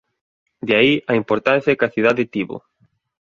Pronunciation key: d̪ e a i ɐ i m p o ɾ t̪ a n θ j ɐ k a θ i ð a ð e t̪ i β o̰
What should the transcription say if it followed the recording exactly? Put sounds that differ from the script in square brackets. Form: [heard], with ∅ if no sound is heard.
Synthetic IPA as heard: d̪ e a i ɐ i m p o ɾ t̪ a n θ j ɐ k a θ i ð a ð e t̪ i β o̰